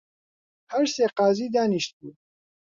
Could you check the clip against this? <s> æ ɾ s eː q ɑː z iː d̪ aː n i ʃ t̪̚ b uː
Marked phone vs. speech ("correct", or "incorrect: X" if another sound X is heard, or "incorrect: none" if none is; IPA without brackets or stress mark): incorrect: h